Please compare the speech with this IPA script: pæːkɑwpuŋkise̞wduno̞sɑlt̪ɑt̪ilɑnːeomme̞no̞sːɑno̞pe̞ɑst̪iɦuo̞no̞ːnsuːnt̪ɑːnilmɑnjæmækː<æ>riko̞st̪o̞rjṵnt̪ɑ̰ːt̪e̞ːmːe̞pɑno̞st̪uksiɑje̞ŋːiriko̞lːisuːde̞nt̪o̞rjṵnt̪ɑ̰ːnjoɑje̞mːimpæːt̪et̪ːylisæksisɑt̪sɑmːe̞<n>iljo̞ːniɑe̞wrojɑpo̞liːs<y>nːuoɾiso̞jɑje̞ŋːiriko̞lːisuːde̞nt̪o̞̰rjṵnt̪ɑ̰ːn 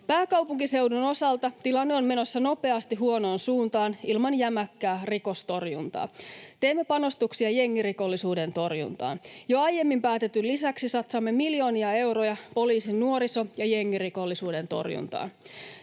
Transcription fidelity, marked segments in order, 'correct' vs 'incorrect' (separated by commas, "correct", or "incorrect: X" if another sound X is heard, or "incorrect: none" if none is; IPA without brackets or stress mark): incorrect: æː, incorrect: m, incorrect: i